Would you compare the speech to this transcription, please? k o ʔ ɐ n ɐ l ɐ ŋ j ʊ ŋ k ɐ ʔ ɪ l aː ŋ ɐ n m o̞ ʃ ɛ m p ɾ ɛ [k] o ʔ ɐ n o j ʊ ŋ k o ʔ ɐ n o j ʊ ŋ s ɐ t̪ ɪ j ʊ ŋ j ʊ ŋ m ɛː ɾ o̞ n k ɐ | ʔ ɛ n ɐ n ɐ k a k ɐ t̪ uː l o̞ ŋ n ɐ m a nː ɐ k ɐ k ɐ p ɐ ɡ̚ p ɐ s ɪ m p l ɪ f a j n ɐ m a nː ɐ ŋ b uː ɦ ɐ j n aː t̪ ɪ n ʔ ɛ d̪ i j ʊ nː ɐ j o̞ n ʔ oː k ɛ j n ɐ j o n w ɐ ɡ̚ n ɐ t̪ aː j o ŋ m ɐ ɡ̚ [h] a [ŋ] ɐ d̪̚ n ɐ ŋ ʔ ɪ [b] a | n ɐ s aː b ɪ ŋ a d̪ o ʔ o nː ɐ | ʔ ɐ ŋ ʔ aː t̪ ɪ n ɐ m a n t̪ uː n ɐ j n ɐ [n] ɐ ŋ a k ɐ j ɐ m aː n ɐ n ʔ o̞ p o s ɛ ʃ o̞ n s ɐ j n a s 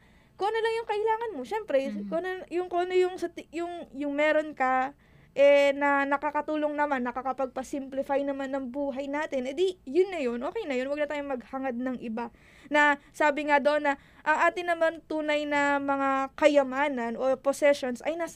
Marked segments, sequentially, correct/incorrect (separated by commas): correct, correct, correct, correct, incorrect